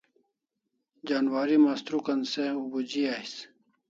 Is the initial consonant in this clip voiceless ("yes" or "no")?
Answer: no